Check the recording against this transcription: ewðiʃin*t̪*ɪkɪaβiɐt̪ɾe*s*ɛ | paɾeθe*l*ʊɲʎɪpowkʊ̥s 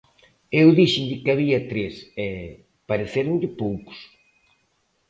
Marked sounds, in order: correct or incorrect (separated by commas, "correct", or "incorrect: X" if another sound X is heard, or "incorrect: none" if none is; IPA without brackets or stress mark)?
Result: incorrect: d̪, correct, incorrect: ɾ